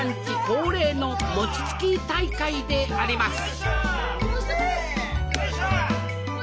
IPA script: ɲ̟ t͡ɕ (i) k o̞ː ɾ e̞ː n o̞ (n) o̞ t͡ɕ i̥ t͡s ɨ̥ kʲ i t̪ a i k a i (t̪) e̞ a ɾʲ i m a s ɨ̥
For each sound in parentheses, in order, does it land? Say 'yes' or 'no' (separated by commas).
yes, no, no